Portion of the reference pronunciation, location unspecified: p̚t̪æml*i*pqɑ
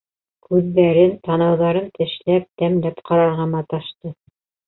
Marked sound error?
yes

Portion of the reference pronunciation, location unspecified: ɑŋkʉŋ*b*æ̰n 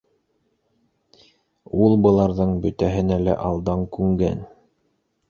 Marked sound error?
yes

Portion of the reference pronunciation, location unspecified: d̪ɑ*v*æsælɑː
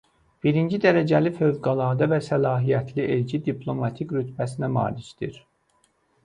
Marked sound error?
no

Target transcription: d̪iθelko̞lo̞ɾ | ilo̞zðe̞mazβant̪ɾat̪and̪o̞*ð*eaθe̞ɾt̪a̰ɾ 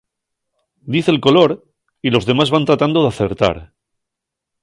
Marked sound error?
no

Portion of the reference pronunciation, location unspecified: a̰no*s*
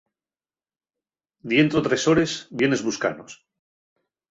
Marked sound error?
no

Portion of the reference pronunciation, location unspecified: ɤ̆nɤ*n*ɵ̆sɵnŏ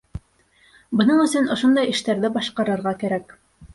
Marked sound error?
yes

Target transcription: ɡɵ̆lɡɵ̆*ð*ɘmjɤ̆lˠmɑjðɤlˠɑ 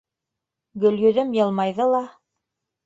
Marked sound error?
no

